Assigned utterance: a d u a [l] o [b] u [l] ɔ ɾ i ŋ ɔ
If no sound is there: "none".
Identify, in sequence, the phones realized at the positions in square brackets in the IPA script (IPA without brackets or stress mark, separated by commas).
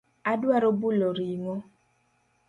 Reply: ɾ, b, l